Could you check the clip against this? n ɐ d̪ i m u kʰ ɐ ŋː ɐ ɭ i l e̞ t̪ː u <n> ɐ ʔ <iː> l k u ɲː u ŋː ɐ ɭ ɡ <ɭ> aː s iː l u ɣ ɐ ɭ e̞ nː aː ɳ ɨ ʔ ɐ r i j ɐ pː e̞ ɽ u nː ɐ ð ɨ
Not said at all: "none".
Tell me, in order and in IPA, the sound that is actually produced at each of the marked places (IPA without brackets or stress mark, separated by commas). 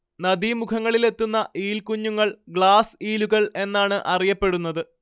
nː, iː, ɭ